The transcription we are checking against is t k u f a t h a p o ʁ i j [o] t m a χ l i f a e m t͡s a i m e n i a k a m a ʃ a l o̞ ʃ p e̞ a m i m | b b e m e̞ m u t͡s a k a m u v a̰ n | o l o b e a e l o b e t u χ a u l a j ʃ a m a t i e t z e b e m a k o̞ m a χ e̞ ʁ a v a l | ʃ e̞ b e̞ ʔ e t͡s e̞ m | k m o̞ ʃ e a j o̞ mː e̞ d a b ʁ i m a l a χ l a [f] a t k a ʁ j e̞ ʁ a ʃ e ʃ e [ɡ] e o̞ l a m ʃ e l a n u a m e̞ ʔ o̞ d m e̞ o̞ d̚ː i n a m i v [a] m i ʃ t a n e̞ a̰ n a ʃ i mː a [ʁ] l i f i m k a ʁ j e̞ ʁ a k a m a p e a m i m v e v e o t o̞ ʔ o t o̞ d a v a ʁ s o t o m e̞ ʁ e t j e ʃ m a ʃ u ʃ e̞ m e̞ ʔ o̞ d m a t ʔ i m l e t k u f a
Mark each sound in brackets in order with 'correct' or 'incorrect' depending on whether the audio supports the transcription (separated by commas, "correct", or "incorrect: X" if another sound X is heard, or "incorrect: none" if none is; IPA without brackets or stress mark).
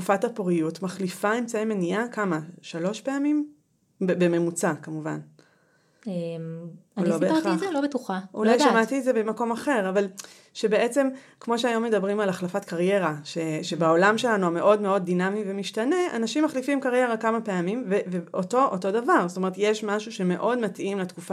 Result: incorrect: u, correct, incorrect: b, incorrect: e, incorrect: χ